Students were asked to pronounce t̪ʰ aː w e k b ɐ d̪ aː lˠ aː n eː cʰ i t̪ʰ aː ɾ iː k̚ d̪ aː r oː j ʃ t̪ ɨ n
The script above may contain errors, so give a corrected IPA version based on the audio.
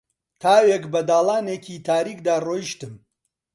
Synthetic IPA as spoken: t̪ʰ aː w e k b ɐ d̪ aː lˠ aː n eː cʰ i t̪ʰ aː ɾ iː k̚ d̪ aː r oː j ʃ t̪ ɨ m